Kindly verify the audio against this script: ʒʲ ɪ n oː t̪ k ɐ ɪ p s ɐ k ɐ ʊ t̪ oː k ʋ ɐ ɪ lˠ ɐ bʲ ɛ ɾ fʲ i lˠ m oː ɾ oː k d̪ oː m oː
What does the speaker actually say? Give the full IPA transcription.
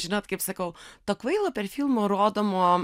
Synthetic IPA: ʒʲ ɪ n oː t̪ k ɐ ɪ p s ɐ k ɐ ʊ t̪ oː k ʋ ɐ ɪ lˠ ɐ pʲ ɛ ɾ fʲ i lˠ m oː ɾ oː d̪ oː m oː